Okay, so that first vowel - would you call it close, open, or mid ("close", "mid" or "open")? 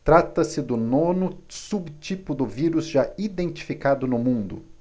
open